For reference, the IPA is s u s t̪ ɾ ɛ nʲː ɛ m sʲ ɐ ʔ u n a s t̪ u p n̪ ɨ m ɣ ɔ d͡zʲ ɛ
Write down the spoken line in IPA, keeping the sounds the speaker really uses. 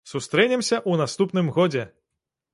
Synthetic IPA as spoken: s u s t̪ ɾ ɛ nʲ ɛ m sʲ ɐ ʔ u n a s t̪ u p n̪ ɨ m ɣ ɔ d͡zʲ ɛ